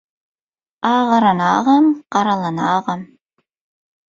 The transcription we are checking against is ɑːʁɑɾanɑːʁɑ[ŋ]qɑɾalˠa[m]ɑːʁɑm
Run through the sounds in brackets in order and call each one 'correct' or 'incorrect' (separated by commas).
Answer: incorrect, incorrect